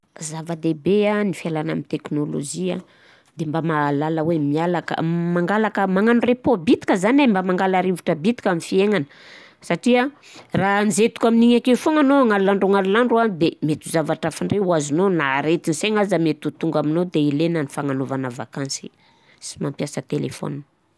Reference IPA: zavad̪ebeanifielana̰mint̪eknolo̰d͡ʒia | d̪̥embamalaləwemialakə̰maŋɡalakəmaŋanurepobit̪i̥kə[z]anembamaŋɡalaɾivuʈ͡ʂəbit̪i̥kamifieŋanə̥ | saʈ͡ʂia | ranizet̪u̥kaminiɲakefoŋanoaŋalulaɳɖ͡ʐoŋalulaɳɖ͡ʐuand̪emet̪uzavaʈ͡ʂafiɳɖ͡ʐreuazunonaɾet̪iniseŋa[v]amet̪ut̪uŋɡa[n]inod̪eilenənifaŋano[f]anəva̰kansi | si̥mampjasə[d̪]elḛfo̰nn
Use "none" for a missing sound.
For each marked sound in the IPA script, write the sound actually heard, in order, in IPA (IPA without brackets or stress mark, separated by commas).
z, z, m, v, t̪